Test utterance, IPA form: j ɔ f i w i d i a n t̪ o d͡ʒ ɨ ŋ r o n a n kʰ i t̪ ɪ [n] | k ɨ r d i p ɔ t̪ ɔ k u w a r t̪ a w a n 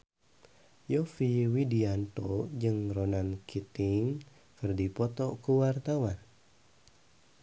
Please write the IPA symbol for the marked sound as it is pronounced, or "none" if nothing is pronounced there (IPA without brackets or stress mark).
ŋ